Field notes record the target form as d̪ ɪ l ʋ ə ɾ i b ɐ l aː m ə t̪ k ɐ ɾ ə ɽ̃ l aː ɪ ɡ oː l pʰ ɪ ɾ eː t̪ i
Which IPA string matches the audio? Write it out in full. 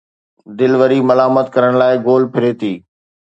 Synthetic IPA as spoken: d̪ ɪ l ʋ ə ɾ i m ɐ l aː m ə t̪ k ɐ ɾ ə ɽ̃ l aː ɪ ɡ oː l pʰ ɪ ɾ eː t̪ iː